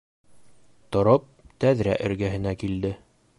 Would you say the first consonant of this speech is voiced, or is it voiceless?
voiceless